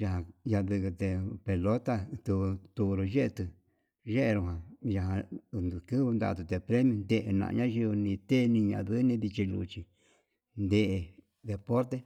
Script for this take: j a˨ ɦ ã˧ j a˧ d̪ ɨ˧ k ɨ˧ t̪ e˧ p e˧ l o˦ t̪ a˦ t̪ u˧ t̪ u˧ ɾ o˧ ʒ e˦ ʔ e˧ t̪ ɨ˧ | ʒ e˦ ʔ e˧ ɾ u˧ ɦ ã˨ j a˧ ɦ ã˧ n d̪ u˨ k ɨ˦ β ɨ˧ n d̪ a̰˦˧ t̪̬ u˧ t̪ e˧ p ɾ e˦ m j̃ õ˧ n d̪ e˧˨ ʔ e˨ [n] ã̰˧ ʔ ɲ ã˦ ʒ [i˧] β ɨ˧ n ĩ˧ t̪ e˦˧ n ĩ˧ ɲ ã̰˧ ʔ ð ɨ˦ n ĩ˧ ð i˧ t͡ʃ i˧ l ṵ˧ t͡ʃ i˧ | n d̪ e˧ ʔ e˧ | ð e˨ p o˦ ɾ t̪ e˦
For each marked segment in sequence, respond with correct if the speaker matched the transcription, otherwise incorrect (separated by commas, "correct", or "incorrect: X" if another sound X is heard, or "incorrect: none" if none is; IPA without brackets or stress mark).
correct, correct